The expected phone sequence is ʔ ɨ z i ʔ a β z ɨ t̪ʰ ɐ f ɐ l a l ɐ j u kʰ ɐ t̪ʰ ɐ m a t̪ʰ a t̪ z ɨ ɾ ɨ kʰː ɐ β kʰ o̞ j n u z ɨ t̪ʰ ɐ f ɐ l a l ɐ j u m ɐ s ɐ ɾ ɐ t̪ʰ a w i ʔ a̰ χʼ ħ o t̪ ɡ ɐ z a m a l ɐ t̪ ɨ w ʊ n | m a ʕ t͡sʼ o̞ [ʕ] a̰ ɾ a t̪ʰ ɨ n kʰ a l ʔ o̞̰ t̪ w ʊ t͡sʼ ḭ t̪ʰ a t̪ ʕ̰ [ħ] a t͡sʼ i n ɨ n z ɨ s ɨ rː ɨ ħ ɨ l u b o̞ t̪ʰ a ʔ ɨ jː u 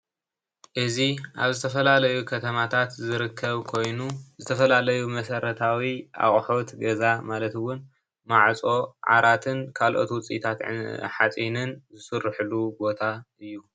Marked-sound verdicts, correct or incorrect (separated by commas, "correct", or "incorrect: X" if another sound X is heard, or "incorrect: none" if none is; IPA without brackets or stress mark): correct, correct